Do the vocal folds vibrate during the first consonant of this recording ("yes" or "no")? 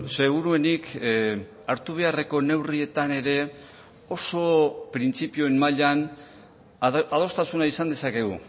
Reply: no